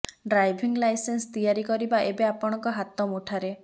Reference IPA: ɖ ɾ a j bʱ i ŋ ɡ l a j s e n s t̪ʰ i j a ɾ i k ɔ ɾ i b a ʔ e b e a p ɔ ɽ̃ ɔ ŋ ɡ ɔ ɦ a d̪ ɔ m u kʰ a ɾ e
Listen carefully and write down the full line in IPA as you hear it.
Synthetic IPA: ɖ ɾ a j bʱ i ŋ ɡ l a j s e n s t̪ i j a ɾ i k ɔ ɾ i b a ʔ e b e a p ɔ ɽ̃ ɔ ŋ k ɔ ɦ a t̪ ɔ m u ʈʰ a ɾ e